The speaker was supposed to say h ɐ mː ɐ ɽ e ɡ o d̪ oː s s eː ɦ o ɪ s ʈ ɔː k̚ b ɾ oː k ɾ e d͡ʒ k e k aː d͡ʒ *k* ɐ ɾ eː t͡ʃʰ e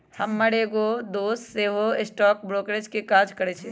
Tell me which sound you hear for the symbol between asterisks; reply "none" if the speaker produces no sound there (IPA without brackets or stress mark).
k